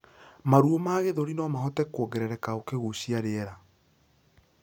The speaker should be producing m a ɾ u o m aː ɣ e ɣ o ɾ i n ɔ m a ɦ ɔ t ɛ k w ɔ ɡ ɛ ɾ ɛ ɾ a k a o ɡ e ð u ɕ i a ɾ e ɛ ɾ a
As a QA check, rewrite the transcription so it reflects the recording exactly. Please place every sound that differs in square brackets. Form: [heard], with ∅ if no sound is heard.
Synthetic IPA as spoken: m a ɾ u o m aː ɣ e [ð] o ɾ i n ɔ m a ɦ ɔ t ɛ k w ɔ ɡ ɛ ɾ ɛ ɾ [ɛ] k a o [k] e [ɣ] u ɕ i a ɾ e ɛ ɾ a